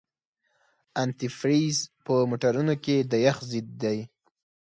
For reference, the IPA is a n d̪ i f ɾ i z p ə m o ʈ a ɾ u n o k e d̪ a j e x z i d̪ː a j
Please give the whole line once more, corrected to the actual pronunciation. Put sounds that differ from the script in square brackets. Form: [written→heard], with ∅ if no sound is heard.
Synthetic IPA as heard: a n [d̪→t̪] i f ɾ i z p ə m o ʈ a ɾ u n o k e d̪ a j [e→a] x z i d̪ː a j